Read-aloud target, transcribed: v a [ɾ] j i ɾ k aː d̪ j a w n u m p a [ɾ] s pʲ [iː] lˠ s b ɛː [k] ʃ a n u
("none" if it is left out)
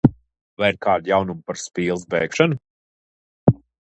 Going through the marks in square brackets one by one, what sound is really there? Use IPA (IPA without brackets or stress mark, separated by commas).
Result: none, ɾ, iː, k